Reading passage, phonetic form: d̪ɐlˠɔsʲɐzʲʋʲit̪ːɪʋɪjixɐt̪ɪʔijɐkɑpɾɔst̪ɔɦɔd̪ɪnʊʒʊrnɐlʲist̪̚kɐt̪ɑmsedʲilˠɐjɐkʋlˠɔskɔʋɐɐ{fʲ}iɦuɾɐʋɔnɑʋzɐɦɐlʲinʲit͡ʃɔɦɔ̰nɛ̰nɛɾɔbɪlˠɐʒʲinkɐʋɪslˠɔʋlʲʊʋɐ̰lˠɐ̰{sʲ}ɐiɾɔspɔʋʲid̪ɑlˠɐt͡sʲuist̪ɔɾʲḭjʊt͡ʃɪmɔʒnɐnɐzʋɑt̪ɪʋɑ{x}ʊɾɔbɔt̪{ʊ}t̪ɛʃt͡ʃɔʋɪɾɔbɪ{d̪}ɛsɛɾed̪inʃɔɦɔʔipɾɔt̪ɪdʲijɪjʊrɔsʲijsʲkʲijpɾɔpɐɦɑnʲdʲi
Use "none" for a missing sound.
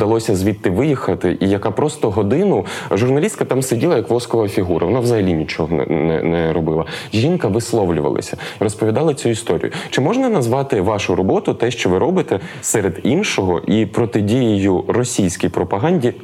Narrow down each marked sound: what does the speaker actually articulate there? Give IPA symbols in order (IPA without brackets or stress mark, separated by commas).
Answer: fʲ, sʲ, ʃ, ʊ, t̪